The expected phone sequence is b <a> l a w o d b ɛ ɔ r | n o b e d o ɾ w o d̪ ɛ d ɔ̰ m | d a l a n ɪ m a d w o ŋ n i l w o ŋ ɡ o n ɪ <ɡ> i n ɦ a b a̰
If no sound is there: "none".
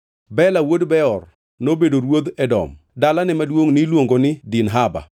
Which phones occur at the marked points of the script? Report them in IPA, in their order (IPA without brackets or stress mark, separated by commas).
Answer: ɛ, d